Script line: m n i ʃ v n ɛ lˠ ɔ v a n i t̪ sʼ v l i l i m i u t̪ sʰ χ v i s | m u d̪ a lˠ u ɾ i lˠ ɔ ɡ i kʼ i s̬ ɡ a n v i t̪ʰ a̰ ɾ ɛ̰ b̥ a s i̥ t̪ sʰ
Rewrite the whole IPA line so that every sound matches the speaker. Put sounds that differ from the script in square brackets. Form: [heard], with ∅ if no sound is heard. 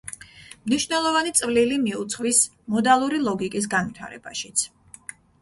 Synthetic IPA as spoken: m n i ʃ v n ɛ lˠ ɔ v a n i t̪ sʼ v l i l i m i u t̪ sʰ χ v i s | m [ɔ] d̪ a lˠ u ɾ i lˠ ɔ ɡ i kʼ i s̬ ɡ a n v i t̪ʰ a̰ ɾ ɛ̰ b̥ a [ʃ] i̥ t̪ sʰ